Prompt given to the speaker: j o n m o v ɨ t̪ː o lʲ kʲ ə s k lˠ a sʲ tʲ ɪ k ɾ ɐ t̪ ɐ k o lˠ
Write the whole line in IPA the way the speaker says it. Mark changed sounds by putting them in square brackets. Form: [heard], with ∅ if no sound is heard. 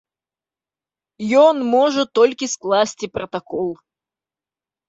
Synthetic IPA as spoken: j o n m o [ʐ] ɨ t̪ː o lʲ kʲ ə s k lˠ a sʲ tʲ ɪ [p] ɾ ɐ t̪ ɐ k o lˠ

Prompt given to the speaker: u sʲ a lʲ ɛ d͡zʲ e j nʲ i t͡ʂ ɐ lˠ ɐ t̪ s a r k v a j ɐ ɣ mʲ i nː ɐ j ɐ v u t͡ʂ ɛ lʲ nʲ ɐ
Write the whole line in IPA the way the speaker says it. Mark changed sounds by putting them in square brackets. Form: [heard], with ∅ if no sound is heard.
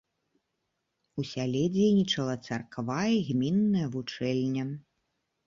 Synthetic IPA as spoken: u sʲ a lʲ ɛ d͡zʲ e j nʲ i t͡ʂ ɐ lˠ ɐ t̪ s a r k v a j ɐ ɣ mʲ i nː ɐ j ɐ v u t͡ʂ ɛ lʲ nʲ ɐ

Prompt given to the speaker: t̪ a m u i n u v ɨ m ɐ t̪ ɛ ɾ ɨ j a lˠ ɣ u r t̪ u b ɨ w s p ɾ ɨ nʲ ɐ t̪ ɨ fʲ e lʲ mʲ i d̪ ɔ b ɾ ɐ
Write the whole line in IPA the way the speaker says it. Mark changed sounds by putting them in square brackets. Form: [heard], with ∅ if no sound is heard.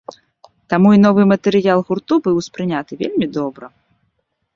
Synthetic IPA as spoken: t̪ a m u i n [ɔ] v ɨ m ɐ t̪ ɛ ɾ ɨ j a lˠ ɣ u r t̪ u b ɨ w s p ɾ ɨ nʲ [a] t̪ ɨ [vʲ] e lʲ mʲ i d̪ ɔ b ɾ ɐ

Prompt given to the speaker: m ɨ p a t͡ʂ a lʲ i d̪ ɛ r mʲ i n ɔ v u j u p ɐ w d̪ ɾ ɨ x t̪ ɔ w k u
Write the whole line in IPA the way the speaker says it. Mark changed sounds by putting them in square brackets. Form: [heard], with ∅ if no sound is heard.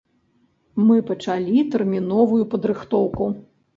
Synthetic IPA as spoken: m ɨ p [ɐ] t͡ʂ a lʲ i [t̪] ɛ r mʲ i n ɔ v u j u p ɐ [∅] d̪ ɾ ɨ x t̪ ɔ w k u

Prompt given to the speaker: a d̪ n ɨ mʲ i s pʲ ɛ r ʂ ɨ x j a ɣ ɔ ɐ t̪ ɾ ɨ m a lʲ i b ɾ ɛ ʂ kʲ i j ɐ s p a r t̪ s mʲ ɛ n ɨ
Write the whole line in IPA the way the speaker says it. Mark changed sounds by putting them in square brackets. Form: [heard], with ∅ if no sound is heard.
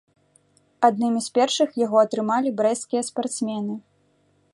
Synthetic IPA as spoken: a d̪ n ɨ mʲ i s pʲ ɛ r ʂ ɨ x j a ɣ ɔ ɐ t̪ ɾ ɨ m a lʲ i b ɾ ɛ [s] kʲ i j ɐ s p a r t̪ s mʲ ɛ n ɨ

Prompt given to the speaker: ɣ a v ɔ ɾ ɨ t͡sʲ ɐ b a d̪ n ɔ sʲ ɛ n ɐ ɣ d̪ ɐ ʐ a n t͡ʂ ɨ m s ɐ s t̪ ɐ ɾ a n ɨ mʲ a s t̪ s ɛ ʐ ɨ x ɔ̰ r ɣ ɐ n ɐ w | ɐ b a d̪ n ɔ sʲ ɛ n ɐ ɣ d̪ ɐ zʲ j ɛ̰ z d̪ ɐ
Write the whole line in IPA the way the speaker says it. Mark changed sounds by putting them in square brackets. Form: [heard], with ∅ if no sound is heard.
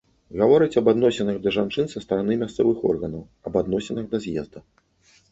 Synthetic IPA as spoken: ɣ a v ɔ ɾ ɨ t͡sʲ ɐ b a d̪ n ɔ sʲ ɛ n ɐ ɣ d̪ ɐ ʐ a n t͡ʂ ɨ [n] s ɐ s t̪ ɐ ɾ a n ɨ mʲ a s t̪ s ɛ [v] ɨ x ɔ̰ r ɣ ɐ n ɐ w | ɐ b a d̪ n ɔ sʲ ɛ n ɐ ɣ d̪ ɐ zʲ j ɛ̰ z d̪ ɐ

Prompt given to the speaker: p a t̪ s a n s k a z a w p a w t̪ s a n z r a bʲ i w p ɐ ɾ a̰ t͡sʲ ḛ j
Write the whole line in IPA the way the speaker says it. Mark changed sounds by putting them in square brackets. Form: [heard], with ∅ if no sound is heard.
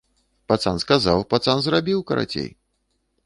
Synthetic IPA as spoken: p a t̪ s a n s k a z a w p a [∅] t̪ s a n z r a bʲ i w [k] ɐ ɾ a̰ t͡sʲ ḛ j

